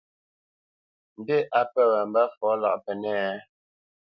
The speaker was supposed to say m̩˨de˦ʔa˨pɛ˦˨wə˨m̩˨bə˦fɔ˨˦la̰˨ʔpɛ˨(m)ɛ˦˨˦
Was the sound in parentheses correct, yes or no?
no